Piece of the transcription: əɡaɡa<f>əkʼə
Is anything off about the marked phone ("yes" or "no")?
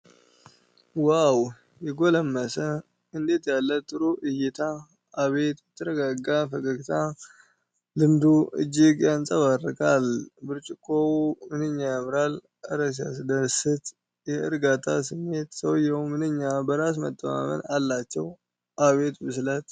no